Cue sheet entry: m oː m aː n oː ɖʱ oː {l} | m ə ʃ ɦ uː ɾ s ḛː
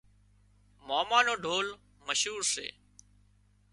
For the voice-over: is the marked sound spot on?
yes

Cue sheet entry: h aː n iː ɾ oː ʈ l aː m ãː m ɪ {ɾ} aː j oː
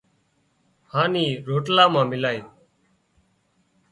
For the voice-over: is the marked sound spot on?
no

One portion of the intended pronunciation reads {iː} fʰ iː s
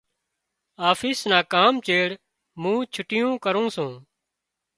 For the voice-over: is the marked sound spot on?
no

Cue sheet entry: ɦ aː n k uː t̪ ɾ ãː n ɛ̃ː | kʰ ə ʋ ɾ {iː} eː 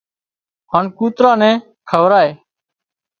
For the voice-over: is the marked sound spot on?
no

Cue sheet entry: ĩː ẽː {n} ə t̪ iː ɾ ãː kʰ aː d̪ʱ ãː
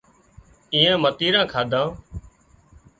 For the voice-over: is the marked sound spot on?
no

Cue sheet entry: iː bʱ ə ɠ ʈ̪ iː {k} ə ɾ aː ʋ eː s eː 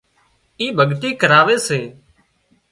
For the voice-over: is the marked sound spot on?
yes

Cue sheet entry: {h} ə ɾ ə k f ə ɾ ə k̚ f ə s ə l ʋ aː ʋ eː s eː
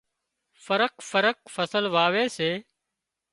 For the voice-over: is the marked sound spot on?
no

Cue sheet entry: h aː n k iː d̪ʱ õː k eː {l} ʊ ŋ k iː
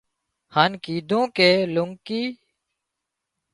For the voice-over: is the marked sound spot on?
yes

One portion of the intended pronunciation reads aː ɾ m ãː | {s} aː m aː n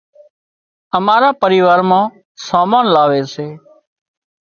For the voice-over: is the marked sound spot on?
yes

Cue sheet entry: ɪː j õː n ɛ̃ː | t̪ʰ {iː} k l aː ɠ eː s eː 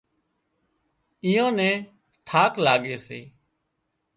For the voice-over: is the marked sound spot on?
no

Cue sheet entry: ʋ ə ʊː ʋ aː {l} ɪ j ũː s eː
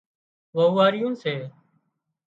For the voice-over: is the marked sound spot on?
no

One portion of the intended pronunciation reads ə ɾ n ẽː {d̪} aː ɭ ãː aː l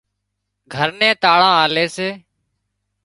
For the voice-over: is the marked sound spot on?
no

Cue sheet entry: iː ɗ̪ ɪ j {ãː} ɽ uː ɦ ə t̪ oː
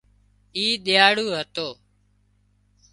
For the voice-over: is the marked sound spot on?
no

